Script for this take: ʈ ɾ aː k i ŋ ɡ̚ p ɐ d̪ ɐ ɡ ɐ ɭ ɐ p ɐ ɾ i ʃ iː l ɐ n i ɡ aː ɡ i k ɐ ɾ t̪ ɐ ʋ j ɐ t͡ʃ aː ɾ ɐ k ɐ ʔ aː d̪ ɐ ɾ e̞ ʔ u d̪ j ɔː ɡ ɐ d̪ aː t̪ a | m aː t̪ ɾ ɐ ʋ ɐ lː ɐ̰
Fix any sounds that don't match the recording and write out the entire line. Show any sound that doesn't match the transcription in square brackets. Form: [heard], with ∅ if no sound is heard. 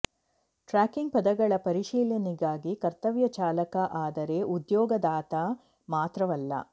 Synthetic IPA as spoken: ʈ ɾ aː k i ŋ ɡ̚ p ɐ d̪ ɐ ɡ ɐ ɭ ɐ p ɐ ɾ i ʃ iː l ɐ n i ɡ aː ɡ i k ɐ ɾ t̪ ɐ ʋ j ɐ t͡ʃ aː [l] ɐ k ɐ ʔ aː d̪ ɐ ɾ e̞ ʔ u d̪ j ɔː ɡ ɐ d̪ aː t̪ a | m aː t̪ ɾ ɐ ʋ ɐ lː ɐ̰